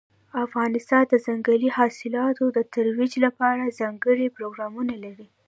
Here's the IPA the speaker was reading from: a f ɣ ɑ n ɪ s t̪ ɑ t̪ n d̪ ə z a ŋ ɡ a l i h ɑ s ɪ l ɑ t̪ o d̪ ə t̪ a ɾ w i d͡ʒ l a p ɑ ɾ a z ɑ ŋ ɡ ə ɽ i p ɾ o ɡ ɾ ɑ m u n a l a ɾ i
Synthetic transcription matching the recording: a f ɣ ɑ n ɪ s t̪ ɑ n d̪ ə z a ŋ ɡ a l i h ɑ s ɪ l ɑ t̪ o d̪ ə t̪ a ɾ w i d͡ʒ l a p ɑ ɾ a z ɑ ŋ ɡ ə ɽ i p ɾ o ɡ ɾ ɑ m u n a l a ɾ i